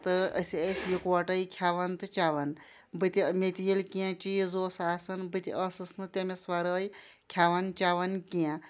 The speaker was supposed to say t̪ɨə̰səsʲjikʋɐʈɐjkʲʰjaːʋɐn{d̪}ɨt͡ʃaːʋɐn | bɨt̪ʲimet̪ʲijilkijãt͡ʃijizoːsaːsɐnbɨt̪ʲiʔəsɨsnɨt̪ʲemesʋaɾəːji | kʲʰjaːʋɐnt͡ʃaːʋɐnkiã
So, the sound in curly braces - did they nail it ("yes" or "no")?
no